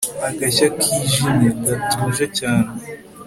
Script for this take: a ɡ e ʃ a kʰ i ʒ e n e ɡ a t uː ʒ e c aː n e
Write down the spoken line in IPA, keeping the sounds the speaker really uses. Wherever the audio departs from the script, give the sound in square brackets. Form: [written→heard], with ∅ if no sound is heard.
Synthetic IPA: a ɡ [e→a] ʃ a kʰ i ʒ [e→i] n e ɡ a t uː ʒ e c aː n e